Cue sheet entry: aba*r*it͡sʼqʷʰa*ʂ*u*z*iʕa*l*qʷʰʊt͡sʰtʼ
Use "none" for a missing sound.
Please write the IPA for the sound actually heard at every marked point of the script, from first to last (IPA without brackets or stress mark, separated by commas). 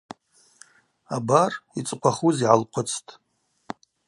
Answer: r, χ, z, l